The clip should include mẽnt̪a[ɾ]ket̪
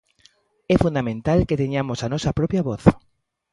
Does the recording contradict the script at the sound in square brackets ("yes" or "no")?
yes